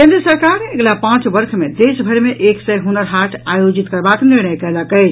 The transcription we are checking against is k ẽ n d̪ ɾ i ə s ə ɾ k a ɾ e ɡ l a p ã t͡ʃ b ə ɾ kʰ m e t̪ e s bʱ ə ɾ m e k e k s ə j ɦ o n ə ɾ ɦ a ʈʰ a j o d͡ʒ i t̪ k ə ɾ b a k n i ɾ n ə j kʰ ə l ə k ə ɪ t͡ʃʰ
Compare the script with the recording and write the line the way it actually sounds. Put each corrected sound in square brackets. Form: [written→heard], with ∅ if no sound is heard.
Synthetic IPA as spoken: k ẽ n d̪ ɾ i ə s ə ɾ k a ɾ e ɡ l a p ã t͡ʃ b ə ɾ kʰ m e [t̪→d̪] e s bʱ ə ɾ m e [k→ʔ] e k s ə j ɦ [o→u] n ə ɾ ɦ a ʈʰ a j o d͡ʒ i t̪ k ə ɾ b a k n i ɾ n ə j [kʰ→k] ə l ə k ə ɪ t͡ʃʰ